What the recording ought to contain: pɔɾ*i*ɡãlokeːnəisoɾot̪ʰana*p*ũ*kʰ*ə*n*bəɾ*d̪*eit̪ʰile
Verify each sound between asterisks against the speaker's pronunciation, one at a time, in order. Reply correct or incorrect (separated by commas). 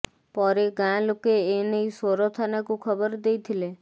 incorrect, incorrect, correct, incorrect, correct